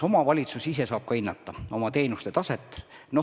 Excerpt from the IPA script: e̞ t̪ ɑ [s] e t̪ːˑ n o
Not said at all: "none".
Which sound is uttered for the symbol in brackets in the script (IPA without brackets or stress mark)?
s